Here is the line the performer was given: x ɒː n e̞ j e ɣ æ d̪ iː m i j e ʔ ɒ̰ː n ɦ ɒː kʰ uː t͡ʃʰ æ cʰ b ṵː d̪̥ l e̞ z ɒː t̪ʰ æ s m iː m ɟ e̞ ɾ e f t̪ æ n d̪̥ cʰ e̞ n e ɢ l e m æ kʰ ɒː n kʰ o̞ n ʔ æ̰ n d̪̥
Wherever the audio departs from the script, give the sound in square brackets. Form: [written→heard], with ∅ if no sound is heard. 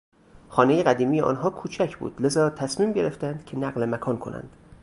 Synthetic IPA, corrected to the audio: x ɒː n e̞ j e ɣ æ d̪ iː m i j e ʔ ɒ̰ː n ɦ ɒː kʰ uː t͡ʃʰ æ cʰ b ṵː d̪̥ l e̞ z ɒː t̪ʰ æ s m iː m ɟ e̞ ɾ e f t̪ æ n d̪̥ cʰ e̞ n [e→æ] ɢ l e m æ kʰ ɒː n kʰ o̞ n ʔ æ̰ n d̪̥